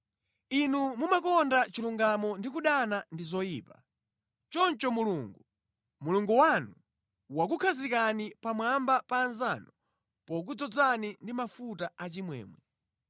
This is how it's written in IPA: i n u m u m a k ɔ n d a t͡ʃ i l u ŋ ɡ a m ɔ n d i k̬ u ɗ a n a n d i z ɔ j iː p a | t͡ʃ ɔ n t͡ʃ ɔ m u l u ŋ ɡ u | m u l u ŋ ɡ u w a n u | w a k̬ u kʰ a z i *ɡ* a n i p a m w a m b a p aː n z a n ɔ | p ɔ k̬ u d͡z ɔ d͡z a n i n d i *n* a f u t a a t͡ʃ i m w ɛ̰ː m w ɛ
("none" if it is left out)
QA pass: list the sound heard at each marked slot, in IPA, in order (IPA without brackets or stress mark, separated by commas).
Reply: k, m